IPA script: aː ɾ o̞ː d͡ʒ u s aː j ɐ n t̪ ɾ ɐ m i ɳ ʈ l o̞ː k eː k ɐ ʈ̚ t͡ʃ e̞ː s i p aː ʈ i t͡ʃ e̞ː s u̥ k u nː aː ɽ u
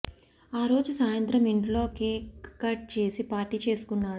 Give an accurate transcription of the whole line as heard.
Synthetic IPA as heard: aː ɾ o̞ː d͡ʒ u s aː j ɐ n t̪ ɾ ɐ m i ɳ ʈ l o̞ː k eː k ɐ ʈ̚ t͡ʃ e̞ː s i p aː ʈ i t͡ʃ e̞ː s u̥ k u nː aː ɽ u

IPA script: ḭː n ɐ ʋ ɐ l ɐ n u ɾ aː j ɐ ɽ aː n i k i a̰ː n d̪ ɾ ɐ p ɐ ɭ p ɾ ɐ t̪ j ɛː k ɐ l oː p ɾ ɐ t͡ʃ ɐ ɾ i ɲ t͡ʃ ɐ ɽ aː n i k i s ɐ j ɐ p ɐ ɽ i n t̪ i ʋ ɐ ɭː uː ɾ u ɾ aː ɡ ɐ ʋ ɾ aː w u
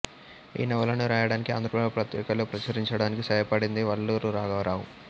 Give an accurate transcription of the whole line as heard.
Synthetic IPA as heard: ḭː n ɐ ʋ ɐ l ɐ n u ɾ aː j ɐ ɽ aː n i k i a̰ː n d̪ ɾ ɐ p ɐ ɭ p ɾ ɐ t̪ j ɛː k ɐ l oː p ɾ ɐ t͡ʃ ɐ ɾ i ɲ t͡ʃ ɐ ɽ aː n i k i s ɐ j ɐ p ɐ ɽ i n d̪ i ʋ ɐ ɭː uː ɾ u ɾ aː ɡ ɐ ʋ ɾ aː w u

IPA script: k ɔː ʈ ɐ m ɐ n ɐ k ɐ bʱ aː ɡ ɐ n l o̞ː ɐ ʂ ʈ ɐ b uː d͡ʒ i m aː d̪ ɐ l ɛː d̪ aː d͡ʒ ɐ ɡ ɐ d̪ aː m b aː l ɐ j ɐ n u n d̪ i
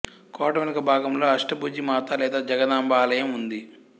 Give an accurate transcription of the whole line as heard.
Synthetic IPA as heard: k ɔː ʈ ɐ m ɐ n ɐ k ɐ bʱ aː ɡ ɐ m l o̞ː ɐ ʂ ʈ ɐ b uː d͡ʒ i m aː t̪ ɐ l ɛː d̪ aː d͡ʒ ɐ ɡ ɐ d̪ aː m b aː l ɐ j ɐ m u n d̪ i

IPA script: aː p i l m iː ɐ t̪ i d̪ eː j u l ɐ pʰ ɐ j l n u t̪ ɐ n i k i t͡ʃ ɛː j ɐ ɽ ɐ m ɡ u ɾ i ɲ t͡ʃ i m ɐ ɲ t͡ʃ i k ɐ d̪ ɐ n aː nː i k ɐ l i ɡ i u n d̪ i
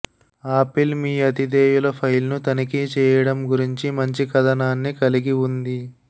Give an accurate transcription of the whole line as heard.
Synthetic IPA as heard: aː p i l m iː ɐ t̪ i d̪ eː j u l ɐ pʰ ɐ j l n u t̪ ɐ n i k i t͡ʃ ɛː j ɐ ɽ ɐ m ɡ u ɾ i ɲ t͡ʃ i m ɐ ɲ t͡ʃ i k ɐ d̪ ɐ n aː nː i k ɐ l i ɡ i u n d̪ i

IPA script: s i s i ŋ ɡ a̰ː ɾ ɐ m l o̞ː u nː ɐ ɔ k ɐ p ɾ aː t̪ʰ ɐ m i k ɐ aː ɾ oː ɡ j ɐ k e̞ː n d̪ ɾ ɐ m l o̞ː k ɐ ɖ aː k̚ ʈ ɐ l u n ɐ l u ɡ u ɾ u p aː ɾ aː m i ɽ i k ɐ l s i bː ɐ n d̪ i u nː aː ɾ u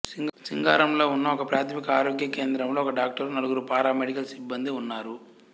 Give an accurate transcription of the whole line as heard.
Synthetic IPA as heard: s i s i ŋ ɡ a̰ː ɾ ɐ m l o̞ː u nː ɐ ɔ k ɐ p ɾ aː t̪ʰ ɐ m i k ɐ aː ɾ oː ɡ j ɐ k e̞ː n d̪ ɾ ɐ m l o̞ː k ɐ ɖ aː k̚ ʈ ɐ ɾ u n ɐ l u ɡ u ɾ u p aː ɾ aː m e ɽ i k ɐ l s i bː ɐ n d̪ i u nː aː ɾ u

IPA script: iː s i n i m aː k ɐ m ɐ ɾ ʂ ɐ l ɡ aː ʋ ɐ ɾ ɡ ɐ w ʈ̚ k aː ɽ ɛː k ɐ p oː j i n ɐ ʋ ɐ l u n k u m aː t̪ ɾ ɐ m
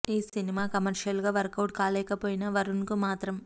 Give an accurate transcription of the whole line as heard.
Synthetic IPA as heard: iː s i n i m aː k ɐ m ɐ ɾ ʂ ɐ l ɡ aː ʋ ɐ ɾ k ɐ w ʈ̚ k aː l ɛː k ɐ p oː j i n ɐ ʋ ɐ ɾ u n k u m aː t̪ ɾ ɐ m

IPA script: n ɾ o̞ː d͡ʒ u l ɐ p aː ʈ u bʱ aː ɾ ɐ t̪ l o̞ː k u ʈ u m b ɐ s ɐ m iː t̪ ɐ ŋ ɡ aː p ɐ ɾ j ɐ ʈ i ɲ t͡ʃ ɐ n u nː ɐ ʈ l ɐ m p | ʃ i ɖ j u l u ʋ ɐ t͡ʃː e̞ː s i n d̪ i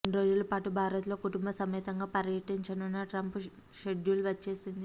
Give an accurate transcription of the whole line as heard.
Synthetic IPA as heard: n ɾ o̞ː d͡ʒ u l ɐ p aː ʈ u bʱ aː ɾ ɐ t̪ l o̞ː k u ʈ u m b ɐ s ɐ m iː t̪ ɐ ŋ ɡ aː p ɐ ɾ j ɐ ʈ i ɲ t͡ʃ ɐ n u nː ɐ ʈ ɾ ɐ m p | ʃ e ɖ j u l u ʋ ɐ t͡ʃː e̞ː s i n d̪ i

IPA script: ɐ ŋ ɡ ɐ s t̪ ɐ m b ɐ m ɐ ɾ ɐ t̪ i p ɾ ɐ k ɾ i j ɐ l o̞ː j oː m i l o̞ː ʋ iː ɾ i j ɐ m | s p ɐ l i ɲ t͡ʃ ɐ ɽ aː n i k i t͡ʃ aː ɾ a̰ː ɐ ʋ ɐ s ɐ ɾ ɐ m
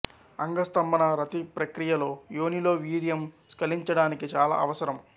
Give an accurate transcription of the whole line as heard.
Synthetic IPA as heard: ɐ ŋ ɡ ɐ s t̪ ɐ m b ɐ n ɐ ɾ ɐ t̪ i p ɾ ɐ k ɾ i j ɐ l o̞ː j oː n i l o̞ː ʋ iː ɾ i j ɐ m | s k ɐ l i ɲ t͡ʃ ɐ ɽ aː n i k i t͡ʃ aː l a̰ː ɐ ʋ ɐ s ɐ ɾ ɐ m

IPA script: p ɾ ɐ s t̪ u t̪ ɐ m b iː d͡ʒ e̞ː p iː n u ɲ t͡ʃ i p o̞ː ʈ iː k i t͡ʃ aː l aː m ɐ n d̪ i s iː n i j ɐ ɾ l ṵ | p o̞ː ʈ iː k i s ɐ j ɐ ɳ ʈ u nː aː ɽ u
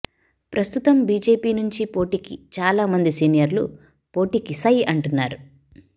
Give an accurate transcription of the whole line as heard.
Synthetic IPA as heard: p ɾ ɐ s t̪ u t̪ ɐ m b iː d͡ʒ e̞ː p iː n u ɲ t͡ʃ i p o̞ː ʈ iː k i t͡ʃ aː l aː m ɐ n d̪ i s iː n i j ɐ ɾ l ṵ | p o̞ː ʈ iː k i s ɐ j ɐ ɳ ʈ u nː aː ɾ u

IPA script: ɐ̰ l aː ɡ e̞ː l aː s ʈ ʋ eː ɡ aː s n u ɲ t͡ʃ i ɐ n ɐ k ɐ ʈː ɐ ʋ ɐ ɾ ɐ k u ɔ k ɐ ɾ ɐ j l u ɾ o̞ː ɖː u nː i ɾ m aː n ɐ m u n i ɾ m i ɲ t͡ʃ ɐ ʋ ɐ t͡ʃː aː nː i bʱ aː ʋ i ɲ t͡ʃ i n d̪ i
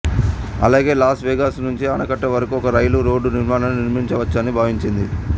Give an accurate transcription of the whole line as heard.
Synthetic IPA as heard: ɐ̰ l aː ɡ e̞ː l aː s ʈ ʋ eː ɡ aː s n u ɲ t͡ʃ i ɐ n ɐ k ɐ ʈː ɐ ʋ ɐ ɾ ɐ k u ɔ k ɐ ɾ ɐ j l u ɾ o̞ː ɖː u n i ɾ m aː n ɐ n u n i ɾ m i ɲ t͡ʃ ɐ ʋ ɐ t͡ʃː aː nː i bʱ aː ʋ i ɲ t͡ʃ i n d̪ i

